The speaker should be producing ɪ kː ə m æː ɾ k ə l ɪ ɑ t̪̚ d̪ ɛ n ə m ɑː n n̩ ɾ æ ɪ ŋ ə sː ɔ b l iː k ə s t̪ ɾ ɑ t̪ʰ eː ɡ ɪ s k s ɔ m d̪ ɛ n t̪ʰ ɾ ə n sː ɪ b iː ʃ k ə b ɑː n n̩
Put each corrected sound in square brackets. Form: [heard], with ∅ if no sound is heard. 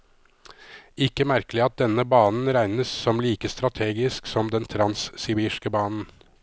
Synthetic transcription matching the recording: ɪ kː ə m [æ] ɾ k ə l ɪ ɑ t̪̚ d̪ ɛ n ə [b] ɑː n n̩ ɾ æ ɪ [n] ə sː ɔ [m] l iː k ə s t̪ ɾ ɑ t̪ʰ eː ɡ ɪ s k s ɔ m d̪ ɛ n t̪ʰ ɾ [ɑ] n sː ɪ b iː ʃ k ə b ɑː n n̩

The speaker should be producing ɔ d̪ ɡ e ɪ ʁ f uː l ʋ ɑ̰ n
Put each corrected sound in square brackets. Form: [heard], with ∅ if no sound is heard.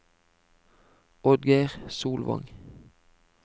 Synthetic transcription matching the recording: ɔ d̪ ɡ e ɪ ʁ [s] uː l ʋ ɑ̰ [ŋ]

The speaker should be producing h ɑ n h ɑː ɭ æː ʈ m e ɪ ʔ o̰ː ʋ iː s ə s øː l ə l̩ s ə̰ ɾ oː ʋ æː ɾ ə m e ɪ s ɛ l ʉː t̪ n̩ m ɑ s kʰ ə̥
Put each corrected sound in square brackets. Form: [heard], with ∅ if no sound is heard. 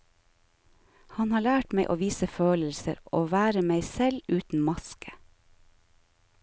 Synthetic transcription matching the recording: h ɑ n h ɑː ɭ æː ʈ m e ɪ ʔ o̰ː ʋ iː s ə [f] øː l ə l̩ s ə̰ ɾ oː ʋ æː ɾ ə m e ɪ s ɛ l ʉː t̪ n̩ m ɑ s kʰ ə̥

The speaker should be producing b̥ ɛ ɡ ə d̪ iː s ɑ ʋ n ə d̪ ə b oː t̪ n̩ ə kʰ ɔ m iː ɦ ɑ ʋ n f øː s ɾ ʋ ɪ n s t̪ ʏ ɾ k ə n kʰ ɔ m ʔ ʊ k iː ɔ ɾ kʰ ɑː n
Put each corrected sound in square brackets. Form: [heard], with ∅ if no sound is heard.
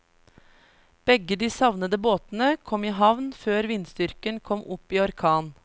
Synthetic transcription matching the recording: b̥ ɛ ɡ ə d̪ iː s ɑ ʋ n ə d̪ ə b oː t̪ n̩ ə kʰ ɔ m iː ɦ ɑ ʋ n f øː [∅] ɾ ʋ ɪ n s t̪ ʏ ɾ k ə n kʰ ɔ m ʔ ʊ [p] iː ɔ ɾ kʰ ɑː n

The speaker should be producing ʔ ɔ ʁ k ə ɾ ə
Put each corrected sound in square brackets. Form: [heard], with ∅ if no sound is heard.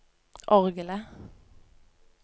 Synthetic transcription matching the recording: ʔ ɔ ʁ [ɡ] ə [l] ə

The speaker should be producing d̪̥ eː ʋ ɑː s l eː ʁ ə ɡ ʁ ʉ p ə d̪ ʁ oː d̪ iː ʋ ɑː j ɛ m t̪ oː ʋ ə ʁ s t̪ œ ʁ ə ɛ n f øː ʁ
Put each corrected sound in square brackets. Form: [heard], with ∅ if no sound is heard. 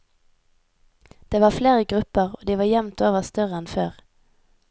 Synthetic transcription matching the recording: d̪̥ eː ʋ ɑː [f] l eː ʁ ə ɡ ʁ ʉ p ə [∅] ʁ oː d̪ iː ʋ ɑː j ɛ m t̪ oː ʋ ə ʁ s t̪ œ ʁ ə ɛ n f øː ʁ

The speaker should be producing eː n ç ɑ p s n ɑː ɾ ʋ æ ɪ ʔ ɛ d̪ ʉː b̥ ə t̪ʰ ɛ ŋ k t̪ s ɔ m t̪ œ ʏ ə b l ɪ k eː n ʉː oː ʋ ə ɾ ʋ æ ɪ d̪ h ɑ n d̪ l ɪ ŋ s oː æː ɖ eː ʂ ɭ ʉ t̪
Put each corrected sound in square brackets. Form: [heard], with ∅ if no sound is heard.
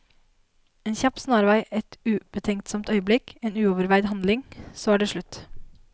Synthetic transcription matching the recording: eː n ç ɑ p s n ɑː ɾ ʋ æ ɪ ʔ ɛ [t̪] ʉː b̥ ə t̪ʰ ɛ ŋ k t̪ s ɔ m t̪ œ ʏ ə b l ɪ k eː n ʉː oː ʋ ə ɾ ʋ æ ɪ d̪ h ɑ n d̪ l ɪ ŋ s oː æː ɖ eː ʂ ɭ ʉ t̪

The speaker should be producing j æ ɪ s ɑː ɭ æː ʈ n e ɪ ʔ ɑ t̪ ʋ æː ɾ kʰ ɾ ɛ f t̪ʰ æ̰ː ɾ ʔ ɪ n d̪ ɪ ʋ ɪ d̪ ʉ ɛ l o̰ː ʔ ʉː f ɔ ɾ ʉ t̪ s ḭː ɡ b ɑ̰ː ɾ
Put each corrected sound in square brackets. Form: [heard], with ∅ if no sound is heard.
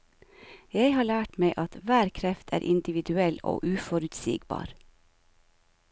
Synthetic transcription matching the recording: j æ ɪ [h] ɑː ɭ æː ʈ [m] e ɪ ʔ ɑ t̪ ʋ æː ɾ kʰ ɾ ɛ f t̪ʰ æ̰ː ɾ ʔ ɪ n d̪ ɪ ʋ ɪ d̪ ʉ ɛ l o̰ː ʔ ʉː f ɔ ɾ ʉ t̪ s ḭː ɡ b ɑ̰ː ɾ

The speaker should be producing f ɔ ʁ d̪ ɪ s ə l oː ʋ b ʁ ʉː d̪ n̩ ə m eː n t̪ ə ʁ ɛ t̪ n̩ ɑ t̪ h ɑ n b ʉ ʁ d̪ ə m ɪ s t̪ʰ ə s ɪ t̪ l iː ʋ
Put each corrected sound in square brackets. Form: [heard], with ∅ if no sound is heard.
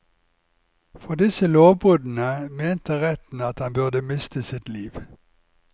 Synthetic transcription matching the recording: f ɔ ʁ d̪ ɪ s ə l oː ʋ b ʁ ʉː d̪ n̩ ə m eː n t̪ ə ʁ ɛ t̪ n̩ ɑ t̪ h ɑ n b ʉ ʁ d̪ ə m ɪ s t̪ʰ ə s ɪ t̪ l iː ʋ

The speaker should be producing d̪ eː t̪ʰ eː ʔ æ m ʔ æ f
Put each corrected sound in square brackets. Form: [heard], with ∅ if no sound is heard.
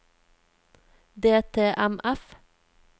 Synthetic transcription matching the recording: d̪ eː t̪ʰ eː ʔ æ m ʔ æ f

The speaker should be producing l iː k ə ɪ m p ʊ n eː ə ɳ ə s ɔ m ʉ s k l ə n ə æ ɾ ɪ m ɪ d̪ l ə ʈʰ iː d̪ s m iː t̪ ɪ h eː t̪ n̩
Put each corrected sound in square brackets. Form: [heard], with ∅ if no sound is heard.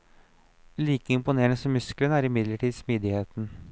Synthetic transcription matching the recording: l iː k ə ɪ m p ʊ n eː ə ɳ ə s ɔ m ʉ s k l ə n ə æ ɾ ɪ m ɪ d̪ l ə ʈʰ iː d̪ s m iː [d̪] ɪ h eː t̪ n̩

